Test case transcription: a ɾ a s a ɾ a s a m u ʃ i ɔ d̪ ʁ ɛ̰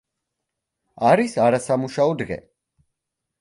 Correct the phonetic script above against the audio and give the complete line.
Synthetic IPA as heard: a ɾ i s a ɾ a s a m u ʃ a ɔ d̪ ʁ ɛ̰